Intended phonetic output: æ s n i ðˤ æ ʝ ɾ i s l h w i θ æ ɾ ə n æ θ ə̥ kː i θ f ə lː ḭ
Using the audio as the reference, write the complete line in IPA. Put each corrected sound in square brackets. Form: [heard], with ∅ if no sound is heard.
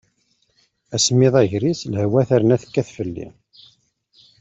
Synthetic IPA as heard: æ s [m] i ðˤ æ ʝ ɾ i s l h w [æ] θ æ ɾ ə n æ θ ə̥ kː [æ] θ f ə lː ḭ